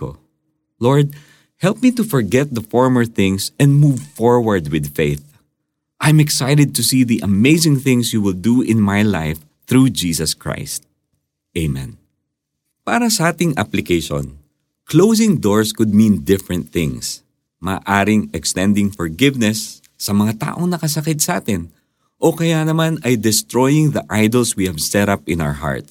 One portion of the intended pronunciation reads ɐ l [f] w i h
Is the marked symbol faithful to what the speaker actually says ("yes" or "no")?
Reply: no